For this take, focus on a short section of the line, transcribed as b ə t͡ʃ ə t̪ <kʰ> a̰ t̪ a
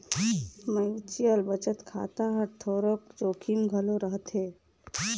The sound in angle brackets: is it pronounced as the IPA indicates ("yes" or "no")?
yes